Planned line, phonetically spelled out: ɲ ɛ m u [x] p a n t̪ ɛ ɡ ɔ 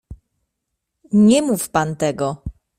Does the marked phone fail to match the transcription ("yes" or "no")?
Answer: yes